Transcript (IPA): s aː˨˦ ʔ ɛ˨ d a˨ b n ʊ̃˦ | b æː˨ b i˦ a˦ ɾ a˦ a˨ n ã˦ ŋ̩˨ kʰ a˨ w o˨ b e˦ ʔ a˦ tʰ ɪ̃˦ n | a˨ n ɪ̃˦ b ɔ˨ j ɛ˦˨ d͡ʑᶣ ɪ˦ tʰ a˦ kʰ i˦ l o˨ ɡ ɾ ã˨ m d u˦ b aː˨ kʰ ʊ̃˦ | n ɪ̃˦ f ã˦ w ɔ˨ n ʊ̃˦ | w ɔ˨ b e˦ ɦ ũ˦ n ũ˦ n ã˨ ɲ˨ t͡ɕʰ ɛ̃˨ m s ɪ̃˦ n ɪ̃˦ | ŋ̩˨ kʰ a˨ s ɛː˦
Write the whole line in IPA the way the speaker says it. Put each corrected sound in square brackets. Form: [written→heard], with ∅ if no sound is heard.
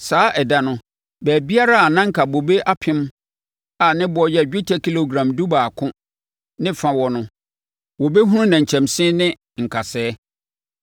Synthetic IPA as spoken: s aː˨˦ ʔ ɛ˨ d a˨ [b→∅] n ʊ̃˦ | b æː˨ b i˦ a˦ ɾ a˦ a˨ n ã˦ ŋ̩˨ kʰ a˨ [w→b] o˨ b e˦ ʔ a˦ [tʰ→pʰ] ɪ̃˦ [n→m] | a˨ n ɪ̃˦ b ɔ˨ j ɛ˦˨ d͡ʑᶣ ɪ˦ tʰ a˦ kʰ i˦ l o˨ ɡ ɾ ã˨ m d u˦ b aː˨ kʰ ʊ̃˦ | n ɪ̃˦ f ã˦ w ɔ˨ n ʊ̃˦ | w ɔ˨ b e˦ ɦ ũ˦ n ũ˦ n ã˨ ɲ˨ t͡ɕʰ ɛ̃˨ m s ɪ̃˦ n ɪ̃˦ | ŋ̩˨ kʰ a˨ s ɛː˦

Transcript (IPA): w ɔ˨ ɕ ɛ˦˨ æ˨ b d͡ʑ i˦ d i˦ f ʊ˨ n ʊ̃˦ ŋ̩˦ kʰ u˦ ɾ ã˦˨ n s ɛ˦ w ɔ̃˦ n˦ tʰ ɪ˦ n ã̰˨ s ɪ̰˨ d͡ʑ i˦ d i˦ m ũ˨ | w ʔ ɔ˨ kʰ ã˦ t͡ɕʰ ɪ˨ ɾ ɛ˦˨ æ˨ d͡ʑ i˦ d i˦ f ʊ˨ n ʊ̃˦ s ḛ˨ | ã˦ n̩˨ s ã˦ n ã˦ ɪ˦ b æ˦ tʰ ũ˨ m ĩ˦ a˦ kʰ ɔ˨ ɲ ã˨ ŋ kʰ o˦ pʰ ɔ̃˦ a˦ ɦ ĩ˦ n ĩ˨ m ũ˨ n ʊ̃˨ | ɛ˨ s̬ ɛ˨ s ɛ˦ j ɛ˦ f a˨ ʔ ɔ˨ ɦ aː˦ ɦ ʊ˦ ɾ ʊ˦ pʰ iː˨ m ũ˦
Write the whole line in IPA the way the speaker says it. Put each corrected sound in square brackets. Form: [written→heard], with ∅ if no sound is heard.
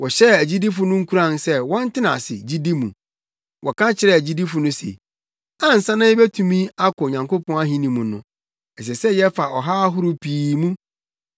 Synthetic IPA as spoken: w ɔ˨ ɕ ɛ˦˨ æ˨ [b→∅] d͡ʑ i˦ d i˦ f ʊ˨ n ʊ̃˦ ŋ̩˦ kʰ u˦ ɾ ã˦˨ n s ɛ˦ w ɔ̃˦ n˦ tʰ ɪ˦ n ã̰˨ s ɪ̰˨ d͡ʑ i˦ d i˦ m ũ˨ | w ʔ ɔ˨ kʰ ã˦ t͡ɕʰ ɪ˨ ɾ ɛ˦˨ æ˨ d͡ʑ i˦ d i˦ f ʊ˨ n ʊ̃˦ s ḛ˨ | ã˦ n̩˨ s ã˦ n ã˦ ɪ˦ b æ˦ tʰ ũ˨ m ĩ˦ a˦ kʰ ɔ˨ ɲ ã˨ ŋ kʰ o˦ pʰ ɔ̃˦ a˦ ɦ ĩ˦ n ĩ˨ m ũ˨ n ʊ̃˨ | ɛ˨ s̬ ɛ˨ s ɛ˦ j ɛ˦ f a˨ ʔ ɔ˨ ɦ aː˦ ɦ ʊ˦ ɾ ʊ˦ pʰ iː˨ m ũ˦

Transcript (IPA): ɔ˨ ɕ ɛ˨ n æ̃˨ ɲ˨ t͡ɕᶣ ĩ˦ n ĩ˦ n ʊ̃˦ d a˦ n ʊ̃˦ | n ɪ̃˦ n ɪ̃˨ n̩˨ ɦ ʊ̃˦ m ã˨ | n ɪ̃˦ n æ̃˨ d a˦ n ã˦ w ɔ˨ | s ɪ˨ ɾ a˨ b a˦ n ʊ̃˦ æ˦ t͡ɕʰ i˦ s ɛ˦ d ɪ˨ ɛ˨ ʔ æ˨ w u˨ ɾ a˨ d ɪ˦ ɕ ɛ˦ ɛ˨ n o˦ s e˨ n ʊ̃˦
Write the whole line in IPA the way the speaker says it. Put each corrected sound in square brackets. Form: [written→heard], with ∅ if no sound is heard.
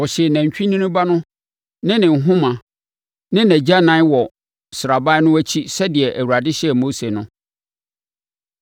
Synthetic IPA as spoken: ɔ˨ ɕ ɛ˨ n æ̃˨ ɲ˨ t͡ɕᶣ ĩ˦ n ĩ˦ n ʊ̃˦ [d→b] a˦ n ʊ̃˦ | n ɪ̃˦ n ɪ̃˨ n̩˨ ɦ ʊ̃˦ m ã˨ | n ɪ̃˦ n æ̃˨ [d→d͡ʑ] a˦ n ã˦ w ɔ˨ | s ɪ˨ ɾ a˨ b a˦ n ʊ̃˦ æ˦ t͡ɕʰ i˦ s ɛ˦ d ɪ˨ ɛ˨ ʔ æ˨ w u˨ ɾ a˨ d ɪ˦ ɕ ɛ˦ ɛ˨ [n→m] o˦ s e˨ n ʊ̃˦

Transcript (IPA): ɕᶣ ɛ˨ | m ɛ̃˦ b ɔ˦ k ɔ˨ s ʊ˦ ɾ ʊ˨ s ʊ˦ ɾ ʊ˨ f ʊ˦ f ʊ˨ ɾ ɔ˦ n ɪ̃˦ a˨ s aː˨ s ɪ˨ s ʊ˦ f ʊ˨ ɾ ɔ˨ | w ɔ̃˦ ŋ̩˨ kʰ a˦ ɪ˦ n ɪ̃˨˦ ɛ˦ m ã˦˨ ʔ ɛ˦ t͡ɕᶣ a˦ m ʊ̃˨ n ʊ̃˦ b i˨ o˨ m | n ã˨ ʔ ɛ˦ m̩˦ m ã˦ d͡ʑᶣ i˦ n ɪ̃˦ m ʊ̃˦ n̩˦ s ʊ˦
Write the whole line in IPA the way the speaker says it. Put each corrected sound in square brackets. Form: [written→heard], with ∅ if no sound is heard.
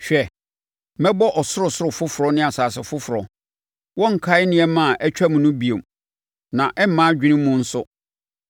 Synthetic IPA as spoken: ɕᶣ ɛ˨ | m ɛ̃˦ b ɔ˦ [k→ʔ] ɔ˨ s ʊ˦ ɾ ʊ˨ s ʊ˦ ɾ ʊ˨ f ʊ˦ f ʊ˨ ɾ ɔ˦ n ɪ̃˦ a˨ s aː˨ s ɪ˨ [s→f] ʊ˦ f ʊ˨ ɾ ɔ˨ | w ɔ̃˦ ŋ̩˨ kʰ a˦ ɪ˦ n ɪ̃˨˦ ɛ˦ m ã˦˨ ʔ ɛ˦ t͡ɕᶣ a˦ m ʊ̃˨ n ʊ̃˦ b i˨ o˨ m | n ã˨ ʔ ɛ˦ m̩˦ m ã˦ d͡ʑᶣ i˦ n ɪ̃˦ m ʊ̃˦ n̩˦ s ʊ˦

